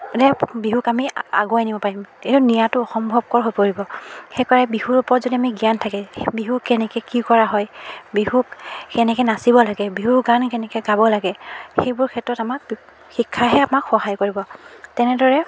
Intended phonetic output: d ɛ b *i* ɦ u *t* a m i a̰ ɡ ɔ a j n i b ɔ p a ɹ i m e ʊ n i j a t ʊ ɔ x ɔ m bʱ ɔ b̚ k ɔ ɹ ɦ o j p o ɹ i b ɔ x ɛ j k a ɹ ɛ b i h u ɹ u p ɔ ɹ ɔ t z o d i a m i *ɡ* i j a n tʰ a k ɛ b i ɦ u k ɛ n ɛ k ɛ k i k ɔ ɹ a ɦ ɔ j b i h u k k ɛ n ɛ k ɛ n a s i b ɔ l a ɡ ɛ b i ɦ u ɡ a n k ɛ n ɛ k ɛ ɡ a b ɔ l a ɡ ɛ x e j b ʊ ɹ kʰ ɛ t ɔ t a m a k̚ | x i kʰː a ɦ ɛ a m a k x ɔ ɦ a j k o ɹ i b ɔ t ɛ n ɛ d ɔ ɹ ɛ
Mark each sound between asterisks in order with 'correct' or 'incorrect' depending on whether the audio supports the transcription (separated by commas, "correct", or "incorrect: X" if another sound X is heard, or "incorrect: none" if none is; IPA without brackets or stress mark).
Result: correct, incorrect: k, correct